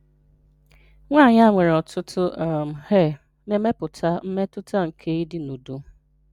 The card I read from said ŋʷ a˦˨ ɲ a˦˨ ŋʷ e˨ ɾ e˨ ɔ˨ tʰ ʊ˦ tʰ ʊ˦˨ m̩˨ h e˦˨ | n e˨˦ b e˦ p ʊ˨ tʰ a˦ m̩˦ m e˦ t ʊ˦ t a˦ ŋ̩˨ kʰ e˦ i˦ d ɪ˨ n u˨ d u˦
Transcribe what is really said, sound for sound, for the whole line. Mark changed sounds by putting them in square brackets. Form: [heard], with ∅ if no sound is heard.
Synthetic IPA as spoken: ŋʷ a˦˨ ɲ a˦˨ ŋʷ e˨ ɾ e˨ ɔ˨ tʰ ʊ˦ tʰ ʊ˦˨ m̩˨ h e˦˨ | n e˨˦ [m] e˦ p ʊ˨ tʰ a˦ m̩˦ m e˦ t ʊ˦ t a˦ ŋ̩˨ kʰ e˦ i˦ d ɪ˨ n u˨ d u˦